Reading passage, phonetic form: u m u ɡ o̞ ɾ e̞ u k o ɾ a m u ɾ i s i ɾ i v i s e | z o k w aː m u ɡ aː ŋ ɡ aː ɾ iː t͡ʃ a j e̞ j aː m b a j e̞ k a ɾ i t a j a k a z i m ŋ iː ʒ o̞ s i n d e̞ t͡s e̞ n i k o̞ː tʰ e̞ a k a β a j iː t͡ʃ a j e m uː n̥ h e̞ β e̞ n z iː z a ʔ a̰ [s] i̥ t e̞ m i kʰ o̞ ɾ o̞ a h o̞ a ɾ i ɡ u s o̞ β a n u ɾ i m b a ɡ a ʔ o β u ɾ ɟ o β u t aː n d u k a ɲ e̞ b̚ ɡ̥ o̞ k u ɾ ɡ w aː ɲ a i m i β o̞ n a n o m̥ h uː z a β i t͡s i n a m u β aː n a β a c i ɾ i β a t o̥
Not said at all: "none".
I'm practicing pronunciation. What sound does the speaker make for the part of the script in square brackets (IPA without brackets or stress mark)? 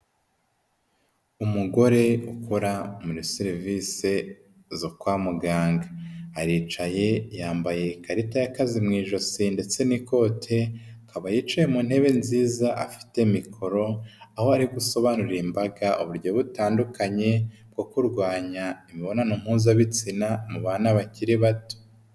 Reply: f